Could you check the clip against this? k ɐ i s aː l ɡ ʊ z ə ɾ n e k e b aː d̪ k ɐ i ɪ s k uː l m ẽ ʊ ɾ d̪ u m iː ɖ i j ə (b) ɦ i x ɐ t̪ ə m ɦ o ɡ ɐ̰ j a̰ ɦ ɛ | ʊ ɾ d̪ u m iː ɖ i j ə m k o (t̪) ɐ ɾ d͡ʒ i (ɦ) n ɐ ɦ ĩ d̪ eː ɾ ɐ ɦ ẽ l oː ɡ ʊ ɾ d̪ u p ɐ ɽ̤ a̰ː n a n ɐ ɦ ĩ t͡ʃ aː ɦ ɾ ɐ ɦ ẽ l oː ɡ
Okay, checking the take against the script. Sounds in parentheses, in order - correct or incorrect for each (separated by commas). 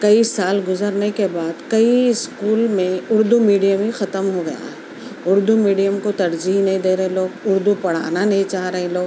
incorrect, correct, correct